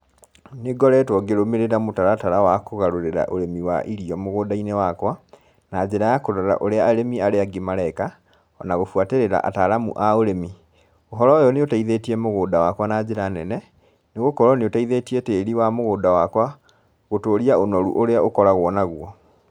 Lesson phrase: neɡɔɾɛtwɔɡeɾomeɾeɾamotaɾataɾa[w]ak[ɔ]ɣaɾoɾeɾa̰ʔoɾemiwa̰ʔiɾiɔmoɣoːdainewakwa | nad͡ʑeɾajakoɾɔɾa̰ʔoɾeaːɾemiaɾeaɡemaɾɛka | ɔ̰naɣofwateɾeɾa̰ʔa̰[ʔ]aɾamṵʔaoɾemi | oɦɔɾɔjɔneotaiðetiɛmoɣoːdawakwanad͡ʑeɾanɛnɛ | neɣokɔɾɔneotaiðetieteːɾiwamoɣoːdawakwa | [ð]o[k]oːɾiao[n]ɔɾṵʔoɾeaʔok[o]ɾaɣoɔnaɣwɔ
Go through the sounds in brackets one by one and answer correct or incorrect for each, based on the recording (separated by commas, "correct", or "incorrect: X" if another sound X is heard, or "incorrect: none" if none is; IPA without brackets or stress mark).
correct, incorrect: o, incorrect: t, incorrect: ɣ, incorrect: t, correct, incorrect: ɔ